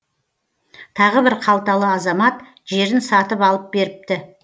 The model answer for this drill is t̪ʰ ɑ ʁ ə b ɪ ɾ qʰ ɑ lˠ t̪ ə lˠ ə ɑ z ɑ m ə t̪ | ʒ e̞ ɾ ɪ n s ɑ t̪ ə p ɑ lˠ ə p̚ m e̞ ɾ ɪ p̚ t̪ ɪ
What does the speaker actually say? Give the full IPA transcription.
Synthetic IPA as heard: t̪ʰ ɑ ʁ ə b ɪ ɾ qʰ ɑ lˠ t̪ ɑ lˠ ə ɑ z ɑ m ɑ t̪ | ʒ e̞ ɾ ɪ n s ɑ t̪ ə p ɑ lˠ ə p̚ b e̞ ɾ ɪ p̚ t̪ ɪ